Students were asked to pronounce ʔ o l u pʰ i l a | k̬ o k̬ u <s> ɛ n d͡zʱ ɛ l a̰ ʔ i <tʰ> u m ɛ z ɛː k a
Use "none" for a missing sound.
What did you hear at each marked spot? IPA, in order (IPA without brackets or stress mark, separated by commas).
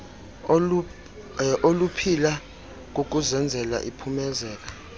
z, pʰ